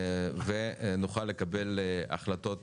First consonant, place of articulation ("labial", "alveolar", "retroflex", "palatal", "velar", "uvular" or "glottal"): labial